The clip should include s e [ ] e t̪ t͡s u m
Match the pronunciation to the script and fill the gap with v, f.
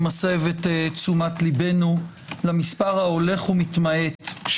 v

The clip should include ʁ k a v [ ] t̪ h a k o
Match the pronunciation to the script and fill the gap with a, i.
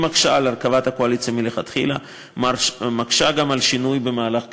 a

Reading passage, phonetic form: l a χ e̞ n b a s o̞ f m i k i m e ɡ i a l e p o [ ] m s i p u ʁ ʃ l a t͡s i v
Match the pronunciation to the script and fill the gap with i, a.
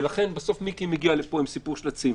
i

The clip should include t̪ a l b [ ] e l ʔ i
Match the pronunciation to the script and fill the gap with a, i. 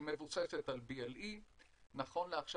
i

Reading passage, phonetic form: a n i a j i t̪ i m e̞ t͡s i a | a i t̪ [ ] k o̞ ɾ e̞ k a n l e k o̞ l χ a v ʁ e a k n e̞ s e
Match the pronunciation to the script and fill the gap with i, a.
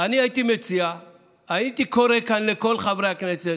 i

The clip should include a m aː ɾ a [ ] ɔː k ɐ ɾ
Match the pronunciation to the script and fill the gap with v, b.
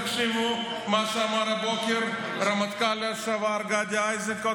b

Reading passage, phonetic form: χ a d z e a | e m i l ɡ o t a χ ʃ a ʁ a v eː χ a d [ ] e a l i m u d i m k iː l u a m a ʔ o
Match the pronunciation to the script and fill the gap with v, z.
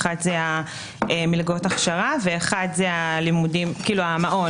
z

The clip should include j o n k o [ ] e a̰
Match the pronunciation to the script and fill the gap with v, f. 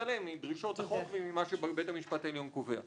v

